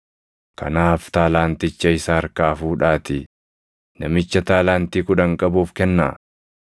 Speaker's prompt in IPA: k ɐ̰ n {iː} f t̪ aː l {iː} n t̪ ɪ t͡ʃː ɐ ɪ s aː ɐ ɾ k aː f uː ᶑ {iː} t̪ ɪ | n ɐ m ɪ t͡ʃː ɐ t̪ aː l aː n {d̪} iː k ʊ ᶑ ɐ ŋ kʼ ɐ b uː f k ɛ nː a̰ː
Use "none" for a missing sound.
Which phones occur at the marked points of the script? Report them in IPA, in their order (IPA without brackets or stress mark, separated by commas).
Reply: aː, aː, aː, t̪